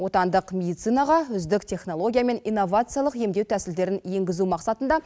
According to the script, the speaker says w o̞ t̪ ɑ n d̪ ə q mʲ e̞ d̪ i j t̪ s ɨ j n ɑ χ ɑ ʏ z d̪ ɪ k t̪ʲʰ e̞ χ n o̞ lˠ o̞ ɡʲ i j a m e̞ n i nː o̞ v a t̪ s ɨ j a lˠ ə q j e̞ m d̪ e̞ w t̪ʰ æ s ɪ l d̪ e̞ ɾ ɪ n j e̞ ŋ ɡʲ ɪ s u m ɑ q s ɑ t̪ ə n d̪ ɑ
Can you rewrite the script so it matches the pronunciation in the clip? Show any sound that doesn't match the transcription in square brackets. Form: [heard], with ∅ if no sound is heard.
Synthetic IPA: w o̞ t̪ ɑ n d̪ ə q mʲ e̞ d̪ i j t̪ s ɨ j n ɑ [ʁ] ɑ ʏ z d̪ ɪ k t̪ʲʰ e̞ χ n o̞ lˠ o̞ ɡʲ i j a m e̞ n i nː o̞ v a t̪ s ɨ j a lˠ ə q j e̞ m d̪ e̞ w t̪ʰ æ s ɪ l d̪ e̞ ɾ ɪ n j e̞ ŋ ɡʲ ɪ [z] u m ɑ q s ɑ t̪ ə n d̪ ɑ